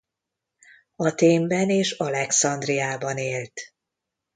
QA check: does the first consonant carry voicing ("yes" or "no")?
no